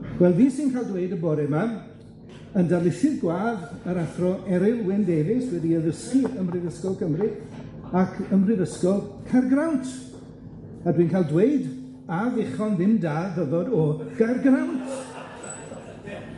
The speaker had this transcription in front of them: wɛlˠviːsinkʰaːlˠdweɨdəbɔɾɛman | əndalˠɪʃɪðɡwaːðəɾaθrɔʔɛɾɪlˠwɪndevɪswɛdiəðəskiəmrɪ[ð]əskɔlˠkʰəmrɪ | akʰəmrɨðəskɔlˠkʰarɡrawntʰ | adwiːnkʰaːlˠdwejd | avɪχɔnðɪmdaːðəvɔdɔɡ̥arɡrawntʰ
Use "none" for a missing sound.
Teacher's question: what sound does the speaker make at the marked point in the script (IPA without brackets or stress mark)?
ð